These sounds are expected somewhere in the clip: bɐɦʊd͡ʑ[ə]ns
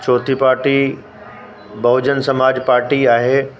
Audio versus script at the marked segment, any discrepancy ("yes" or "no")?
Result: no